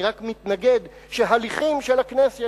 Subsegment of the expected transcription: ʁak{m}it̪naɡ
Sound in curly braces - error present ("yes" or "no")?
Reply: no